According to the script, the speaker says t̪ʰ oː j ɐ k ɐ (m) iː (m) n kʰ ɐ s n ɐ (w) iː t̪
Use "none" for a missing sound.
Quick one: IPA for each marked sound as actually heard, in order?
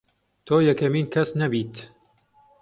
m, none, b

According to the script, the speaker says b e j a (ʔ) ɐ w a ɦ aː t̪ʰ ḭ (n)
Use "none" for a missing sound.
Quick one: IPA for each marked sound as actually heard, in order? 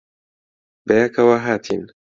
k, n

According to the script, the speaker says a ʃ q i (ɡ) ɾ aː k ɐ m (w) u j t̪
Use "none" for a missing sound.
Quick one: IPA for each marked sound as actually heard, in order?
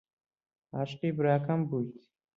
b, b

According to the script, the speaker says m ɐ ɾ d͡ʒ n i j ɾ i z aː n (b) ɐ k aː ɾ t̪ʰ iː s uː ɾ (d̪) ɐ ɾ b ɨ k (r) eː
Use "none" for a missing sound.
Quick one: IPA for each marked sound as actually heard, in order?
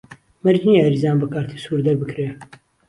b, d̪, ɾ

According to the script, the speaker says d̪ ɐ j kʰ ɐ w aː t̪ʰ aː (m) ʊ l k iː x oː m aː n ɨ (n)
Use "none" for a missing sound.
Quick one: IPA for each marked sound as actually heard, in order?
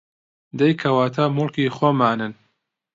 m, n

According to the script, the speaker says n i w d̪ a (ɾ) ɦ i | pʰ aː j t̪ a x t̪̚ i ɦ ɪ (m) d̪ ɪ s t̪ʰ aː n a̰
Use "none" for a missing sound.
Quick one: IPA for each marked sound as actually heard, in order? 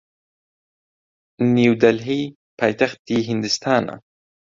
l, n

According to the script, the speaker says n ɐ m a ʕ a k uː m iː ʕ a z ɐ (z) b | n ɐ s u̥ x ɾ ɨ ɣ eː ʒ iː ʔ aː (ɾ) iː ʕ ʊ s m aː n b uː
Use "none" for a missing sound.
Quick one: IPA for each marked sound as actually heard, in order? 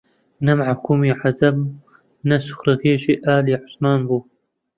none, l

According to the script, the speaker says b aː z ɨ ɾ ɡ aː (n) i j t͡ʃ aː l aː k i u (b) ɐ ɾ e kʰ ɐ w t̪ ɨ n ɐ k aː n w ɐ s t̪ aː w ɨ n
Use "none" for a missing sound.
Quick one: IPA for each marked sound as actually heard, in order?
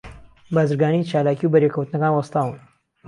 n, b

